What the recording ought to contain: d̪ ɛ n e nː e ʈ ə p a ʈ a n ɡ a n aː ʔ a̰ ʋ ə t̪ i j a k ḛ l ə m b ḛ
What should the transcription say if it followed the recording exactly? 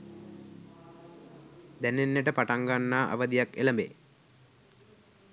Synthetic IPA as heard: d̪ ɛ n e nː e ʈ ə p a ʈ a ŋ ɡ a nː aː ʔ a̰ ʋ ə d̪ i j a k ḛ l ə m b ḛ